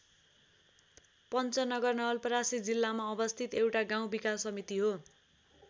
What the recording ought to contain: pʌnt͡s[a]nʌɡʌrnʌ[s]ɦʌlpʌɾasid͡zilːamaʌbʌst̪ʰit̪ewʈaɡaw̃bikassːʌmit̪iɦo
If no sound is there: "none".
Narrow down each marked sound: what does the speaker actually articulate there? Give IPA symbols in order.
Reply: ʌ, none

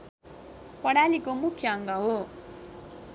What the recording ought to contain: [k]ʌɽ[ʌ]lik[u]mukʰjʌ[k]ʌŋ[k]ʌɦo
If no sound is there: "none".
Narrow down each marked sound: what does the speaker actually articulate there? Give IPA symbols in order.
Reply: p, a, o, none, ɡ

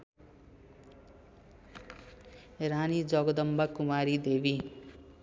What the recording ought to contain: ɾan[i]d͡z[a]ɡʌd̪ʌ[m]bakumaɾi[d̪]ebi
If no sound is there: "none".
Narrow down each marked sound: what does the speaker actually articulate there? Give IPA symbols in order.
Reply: i, ʌ, m, d̪

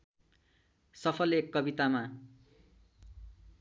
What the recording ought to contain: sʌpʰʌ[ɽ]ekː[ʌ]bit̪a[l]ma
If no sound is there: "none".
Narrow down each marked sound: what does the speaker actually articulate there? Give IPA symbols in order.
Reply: l, ʌ, none

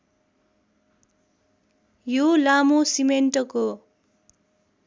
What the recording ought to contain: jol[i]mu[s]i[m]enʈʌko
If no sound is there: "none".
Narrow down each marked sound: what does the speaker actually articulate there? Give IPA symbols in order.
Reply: a, s, m

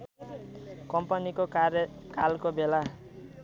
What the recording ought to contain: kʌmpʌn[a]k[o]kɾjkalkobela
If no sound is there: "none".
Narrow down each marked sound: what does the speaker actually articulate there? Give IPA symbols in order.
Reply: i, o

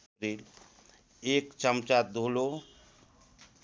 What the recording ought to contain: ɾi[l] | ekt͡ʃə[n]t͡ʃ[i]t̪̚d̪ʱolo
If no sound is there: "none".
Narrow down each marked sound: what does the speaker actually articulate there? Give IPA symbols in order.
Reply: l, m, a

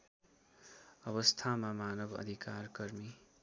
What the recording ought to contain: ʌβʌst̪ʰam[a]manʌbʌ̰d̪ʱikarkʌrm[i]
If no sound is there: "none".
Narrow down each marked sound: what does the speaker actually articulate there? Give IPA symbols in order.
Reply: a, i

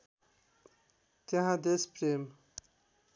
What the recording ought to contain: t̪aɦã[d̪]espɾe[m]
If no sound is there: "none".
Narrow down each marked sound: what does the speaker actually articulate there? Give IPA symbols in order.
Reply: d̪, m

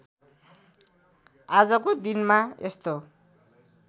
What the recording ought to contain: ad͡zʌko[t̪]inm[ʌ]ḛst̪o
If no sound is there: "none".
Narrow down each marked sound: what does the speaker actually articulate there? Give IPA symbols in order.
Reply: d̪, a

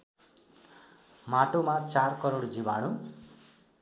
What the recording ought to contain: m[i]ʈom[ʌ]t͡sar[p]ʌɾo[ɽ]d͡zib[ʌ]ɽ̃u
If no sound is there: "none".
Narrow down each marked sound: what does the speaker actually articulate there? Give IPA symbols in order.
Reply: a, a, k, ɽ, a

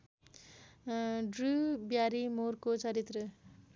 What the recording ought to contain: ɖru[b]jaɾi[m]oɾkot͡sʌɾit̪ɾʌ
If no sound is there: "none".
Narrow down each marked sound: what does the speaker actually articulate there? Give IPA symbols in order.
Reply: b, m

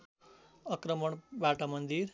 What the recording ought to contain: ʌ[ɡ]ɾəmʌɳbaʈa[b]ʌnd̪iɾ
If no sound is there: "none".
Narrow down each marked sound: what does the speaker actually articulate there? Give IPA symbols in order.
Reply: k, m

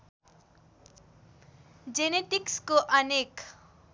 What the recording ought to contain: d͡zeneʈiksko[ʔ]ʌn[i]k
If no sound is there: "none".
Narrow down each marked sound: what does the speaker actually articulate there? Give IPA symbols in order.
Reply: ʔ, e

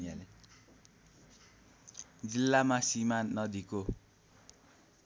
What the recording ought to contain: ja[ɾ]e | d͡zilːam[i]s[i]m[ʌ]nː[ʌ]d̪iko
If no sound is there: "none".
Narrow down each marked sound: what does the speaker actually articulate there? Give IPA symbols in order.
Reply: l, a, i, a, ʌ

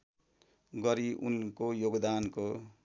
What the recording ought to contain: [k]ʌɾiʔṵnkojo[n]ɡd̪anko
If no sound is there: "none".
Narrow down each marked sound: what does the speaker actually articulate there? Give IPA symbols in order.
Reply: ɡ, none

